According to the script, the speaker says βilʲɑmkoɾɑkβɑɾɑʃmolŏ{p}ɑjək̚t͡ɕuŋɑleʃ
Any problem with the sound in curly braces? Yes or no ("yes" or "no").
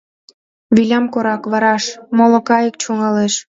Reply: yes